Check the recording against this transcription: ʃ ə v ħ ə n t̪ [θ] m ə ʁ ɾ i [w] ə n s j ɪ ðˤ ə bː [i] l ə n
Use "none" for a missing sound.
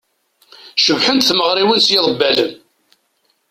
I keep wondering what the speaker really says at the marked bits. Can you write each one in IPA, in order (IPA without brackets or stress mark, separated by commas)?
θ, w, æ